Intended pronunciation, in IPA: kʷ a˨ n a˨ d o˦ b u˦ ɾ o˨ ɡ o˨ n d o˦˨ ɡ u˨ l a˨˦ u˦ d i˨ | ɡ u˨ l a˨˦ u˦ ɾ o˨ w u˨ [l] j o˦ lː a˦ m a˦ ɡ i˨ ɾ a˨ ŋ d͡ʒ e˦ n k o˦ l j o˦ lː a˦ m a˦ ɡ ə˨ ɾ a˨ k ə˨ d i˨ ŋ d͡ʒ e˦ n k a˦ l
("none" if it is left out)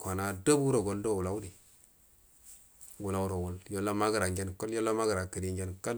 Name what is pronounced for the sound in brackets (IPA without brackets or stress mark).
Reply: l